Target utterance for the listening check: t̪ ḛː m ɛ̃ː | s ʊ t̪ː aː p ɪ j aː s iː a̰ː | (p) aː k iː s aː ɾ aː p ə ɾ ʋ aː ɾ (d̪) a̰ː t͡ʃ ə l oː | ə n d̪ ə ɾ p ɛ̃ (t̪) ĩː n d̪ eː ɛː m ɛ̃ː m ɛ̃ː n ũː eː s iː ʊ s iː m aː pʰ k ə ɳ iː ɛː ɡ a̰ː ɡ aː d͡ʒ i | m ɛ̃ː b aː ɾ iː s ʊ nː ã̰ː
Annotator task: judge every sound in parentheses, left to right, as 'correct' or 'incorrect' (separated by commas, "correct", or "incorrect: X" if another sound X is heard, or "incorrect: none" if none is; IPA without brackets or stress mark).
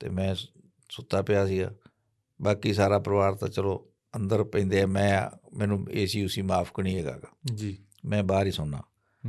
incorrect: b, incorrect: t̪, incorrect: none